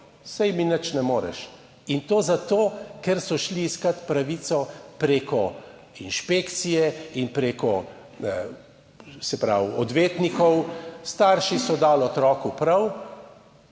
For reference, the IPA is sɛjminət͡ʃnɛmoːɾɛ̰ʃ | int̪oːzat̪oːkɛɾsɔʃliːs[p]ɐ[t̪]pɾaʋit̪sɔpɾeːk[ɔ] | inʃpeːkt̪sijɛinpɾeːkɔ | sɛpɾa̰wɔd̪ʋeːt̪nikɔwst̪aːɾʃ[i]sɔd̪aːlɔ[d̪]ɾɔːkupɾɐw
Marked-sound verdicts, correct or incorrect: incorrect, correct, correct, correct, incorrect

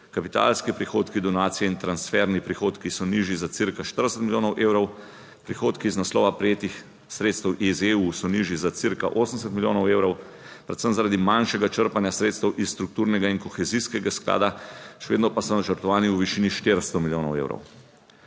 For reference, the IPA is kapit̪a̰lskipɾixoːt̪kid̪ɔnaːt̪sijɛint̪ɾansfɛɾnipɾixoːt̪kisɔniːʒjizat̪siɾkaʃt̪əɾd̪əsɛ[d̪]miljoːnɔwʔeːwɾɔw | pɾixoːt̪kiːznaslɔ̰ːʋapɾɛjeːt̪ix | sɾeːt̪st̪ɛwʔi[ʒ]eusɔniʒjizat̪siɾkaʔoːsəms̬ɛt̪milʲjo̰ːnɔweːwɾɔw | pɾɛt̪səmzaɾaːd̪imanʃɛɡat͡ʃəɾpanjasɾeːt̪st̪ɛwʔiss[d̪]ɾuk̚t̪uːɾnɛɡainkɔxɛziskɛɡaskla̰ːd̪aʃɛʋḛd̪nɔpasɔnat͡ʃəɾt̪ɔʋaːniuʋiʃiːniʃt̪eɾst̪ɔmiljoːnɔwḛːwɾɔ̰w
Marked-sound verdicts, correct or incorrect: incorrect, incorrect, incorrect

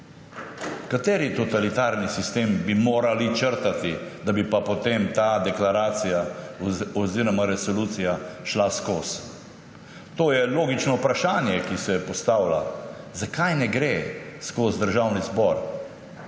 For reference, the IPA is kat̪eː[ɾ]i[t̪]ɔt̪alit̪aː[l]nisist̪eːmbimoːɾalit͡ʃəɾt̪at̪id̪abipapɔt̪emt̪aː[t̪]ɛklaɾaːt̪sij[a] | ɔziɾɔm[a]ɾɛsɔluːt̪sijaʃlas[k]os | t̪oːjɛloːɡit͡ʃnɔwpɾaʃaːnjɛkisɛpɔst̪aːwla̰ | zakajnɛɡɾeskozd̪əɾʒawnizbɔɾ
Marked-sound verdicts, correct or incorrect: correct, correct, incorrect, incorrect, correct, correct, correct

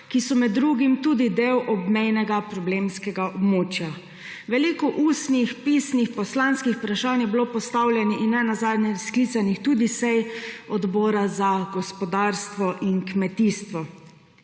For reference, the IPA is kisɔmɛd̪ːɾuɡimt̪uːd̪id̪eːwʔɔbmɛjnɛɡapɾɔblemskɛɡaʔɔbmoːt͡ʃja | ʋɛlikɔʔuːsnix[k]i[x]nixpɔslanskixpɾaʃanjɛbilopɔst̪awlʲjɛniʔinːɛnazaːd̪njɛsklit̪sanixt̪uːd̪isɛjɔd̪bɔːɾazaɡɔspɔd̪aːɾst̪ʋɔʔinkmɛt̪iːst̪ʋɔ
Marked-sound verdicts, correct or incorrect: incorrect, incorrect

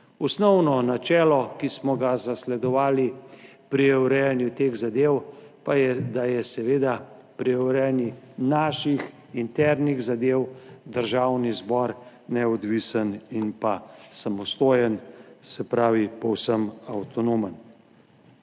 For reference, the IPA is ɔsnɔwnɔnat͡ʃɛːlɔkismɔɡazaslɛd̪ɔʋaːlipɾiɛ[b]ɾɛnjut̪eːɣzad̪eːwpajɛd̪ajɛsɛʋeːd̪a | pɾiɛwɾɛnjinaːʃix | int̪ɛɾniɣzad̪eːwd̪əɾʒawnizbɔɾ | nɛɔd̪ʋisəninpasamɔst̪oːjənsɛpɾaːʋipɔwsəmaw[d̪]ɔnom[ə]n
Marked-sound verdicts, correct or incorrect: incorrect, incorrect, correct

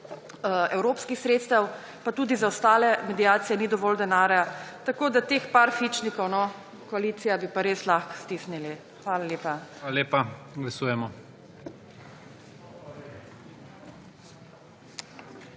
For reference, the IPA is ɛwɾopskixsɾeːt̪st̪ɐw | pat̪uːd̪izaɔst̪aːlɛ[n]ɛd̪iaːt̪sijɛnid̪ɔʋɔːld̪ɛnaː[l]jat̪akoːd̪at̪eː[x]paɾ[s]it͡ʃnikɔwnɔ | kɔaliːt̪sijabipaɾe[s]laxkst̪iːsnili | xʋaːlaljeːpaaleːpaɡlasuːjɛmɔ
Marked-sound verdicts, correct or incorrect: incorrect, incorrect, correct, incorrect, correct

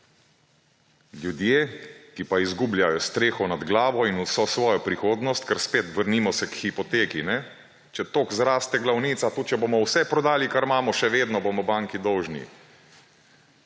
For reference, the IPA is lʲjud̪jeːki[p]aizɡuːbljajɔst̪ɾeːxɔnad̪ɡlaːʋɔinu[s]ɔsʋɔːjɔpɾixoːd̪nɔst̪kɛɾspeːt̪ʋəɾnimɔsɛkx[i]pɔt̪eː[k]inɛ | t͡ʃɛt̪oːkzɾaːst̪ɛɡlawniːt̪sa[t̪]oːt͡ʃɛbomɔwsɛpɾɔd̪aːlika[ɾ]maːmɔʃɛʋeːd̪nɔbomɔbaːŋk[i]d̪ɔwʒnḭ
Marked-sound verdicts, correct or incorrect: correct, correct, correct, correct, correct, correct, correct

